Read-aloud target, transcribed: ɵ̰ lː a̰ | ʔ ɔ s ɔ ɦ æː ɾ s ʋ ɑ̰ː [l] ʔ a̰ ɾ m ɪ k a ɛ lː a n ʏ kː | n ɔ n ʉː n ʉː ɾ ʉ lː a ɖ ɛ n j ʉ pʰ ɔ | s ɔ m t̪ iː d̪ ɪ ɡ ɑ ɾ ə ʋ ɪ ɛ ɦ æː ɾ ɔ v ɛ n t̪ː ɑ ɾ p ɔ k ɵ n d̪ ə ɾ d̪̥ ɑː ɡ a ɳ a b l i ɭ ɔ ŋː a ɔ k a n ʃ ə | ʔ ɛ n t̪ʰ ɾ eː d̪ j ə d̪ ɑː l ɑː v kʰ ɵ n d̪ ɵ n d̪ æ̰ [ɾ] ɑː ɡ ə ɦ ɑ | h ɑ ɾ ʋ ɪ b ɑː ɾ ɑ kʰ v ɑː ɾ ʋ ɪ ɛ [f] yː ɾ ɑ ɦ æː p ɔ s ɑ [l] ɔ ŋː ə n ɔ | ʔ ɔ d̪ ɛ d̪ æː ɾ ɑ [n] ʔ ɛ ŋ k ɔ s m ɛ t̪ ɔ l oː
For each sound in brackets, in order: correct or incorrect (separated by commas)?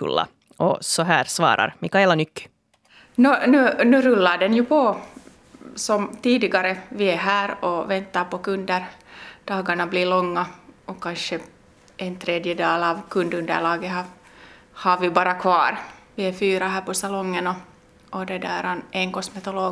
incorrect, incorrect, correct, correct, correct